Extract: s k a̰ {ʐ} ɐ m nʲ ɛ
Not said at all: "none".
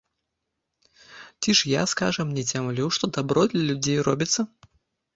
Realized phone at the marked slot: ʐ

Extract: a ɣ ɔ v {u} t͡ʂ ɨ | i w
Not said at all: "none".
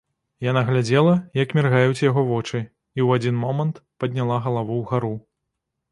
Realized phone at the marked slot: ɔ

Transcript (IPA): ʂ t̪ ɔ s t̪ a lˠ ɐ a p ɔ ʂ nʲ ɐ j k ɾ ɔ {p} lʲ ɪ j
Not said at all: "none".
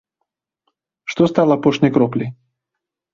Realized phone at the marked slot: p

